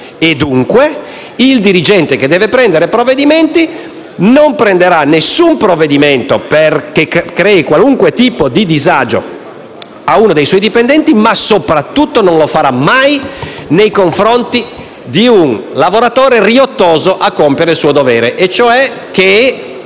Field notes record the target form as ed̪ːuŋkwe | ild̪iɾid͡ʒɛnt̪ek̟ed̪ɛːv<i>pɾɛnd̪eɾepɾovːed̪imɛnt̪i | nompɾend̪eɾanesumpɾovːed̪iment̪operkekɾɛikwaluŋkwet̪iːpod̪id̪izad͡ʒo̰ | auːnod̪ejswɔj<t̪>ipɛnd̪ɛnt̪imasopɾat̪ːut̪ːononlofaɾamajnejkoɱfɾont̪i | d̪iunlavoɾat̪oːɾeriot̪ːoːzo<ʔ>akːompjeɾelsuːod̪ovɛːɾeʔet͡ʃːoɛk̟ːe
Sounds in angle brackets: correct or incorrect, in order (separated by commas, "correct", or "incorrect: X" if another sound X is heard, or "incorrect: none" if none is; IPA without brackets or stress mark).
incorrect: e, incorrect: d̪, correct